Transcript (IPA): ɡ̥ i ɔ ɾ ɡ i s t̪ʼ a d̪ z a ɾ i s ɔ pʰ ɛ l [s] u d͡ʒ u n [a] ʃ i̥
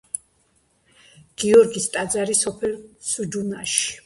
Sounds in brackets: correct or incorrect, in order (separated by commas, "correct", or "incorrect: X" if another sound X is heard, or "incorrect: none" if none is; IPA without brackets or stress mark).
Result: correct, correct